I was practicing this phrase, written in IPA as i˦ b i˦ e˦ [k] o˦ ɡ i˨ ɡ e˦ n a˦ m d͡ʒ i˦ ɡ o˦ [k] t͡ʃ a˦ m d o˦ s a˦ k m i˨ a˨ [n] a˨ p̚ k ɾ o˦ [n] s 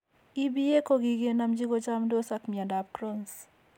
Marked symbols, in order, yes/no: yes, no, no, yes

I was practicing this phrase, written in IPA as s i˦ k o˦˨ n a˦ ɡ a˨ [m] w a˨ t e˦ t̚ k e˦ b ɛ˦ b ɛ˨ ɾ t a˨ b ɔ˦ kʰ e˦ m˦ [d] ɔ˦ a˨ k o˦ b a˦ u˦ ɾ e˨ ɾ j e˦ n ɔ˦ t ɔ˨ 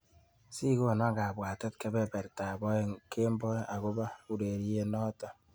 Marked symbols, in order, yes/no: no, no

